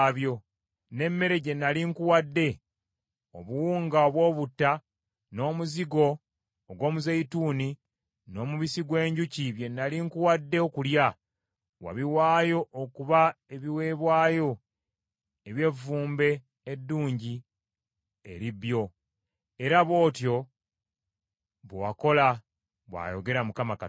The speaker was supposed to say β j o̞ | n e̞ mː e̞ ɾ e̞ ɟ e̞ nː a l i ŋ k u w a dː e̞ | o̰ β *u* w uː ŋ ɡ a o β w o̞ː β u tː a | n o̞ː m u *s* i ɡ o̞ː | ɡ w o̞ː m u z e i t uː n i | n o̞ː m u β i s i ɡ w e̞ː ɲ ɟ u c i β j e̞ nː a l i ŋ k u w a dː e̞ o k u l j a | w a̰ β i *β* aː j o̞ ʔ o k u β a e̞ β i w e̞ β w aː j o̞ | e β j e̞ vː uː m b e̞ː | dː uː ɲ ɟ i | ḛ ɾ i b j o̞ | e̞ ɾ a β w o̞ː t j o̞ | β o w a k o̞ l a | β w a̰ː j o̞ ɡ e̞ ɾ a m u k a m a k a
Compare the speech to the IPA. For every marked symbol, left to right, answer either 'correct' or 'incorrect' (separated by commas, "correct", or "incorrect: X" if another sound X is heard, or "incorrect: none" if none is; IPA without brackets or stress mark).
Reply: correct, incorrect: z, incorrect: w